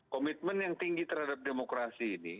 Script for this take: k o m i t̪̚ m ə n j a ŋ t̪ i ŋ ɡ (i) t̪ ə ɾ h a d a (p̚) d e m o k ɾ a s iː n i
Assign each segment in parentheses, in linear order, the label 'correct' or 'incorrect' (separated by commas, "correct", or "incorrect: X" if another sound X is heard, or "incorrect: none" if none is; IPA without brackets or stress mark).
correct, correct